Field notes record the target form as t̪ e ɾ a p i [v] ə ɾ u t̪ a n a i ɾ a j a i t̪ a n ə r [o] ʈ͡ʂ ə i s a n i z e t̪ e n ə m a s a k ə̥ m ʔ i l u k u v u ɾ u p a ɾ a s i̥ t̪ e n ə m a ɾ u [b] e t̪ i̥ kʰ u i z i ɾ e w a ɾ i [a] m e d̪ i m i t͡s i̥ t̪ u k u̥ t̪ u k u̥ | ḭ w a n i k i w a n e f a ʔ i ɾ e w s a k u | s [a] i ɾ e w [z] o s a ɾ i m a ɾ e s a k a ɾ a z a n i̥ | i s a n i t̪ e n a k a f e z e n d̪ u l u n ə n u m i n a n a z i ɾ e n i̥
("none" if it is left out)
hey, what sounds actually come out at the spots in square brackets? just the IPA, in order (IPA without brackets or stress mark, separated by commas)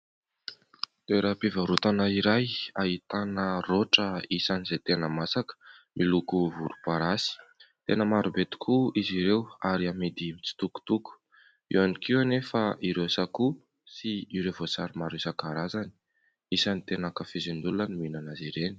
v, o, b, a, i, v